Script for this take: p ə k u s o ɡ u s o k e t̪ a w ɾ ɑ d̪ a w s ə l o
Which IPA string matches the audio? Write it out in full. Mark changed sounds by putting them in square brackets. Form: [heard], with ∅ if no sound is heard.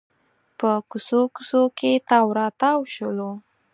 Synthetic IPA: p ə k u s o [k] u s o k e t̪ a w ɾ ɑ [t̪] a w [ʃ] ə l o